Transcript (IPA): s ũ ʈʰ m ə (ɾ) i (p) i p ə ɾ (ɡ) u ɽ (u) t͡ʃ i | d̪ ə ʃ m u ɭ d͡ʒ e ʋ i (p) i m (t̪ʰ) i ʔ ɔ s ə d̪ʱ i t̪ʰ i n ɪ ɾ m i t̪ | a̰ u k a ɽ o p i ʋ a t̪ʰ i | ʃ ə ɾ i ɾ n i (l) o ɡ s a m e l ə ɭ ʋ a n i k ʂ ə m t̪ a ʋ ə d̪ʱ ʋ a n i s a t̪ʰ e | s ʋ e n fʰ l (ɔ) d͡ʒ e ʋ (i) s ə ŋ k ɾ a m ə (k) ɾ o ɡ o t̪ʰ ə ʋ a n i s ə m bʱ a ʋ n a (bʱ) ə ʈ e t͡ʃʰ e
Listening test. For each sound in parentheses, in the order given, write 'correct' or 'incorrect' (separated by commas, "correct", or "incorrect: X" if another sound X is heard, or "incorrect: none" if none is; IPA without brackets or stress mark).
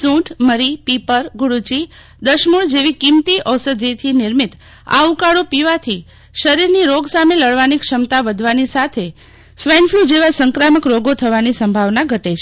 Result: correct, correct, correct, correct, incorrect: k, incorrect: t̪, incorrect: ɾ, incorrect: u, incorrect: a, correct, incorrect: ɡʱ